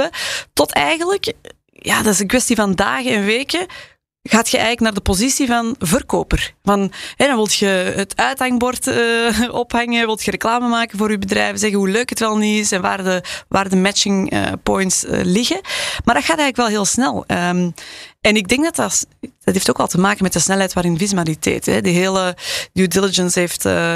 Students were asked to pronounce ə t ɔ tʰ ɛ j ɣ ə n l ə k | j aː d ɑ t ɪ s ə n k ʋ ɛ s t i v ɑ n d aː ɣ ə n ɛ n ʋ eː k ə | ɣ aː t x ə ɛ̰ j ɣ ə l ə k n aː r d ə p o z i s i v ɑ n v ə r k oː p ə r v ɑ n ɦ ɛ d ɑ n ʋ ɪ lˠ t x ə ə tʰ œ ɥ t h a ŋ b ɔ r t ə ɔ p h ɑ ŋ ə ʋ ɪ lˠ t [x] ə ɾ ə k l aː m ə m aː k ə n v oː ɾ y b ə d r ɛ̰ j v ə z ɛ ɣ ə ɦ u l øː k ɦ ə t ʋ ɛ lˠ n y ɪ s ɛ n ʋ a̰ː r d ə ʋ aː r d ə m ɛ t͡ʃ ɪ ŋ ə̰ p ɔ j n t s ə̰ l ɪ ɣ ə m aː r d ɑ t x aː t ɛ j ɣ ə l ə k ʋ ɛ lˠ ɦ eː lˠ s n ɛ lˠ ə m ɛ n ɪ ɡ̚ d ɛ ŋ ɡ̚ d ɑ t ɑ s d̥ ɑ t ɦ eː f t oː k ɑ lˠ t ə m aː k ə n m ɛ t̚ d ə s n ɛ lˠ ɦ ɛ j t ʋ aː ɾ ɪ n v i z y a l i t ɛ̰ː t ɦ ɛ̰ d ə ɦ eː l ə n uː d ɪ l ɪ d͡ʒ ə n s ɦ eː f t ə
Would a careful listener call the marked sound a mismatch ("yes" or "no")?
no